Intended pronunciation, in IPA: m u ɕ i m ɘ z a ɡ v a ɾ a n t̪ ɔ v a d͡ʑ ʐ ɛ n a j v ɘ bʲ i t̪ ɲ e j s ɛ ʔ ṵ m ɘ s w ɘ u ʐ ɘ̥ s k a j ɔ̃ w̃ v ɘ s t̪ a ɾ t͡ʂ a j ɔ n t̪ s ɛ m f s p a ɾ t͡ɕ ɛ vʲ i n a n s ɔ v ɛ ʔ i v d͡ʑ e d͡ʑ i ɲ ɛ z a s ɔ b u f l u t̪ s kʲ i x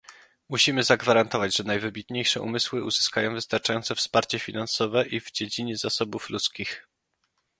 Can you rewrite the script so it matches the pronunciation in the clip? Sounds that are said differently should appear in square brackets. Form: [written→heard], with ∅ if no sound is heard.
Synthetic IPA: m u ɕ i m ɘ z a ɡ v a ɾ a n t̪ ɔ v a d͡ʑ ʐ ɛ n a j v ɘ bʲ i t̪ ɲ e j [s→ʂ] ɛ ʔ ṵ m ɘ s w ɘ u [ʐ→z] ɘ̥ s k a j ɔ̃ w̃ v ɘ s t̪ a ɾ t͡ʂ a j ɔ n t̪ s ɛ [m→∅] f s p a ɾ t͡ɕ ɛ [vʲ→fʲ] i n a n s ɔ v ɛ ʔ i v d͡ʑ e d͡ʑ i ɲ ɛ z a s ɔ b u f l u t̪ s kʲ i x